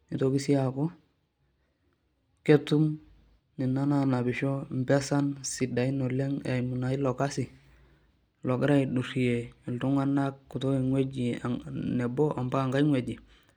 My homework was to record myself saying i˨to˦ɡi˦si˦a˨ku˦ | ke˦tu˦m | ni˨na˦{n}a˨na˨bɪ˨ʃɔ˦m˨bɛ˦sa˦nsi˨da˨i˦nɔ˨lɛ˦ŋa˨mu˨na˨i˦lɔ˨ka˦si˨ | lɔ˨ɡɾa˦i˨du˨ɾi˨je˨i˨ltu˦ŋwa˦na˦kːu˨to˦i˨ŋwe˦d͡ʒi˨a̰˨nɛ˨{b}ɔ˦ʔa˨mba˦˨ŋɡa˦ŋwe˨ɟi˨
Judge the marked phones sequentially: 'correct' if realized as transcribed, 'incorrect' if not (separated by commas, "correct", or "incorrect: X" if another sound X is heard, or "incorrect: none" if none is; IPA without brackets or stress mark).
correct, correct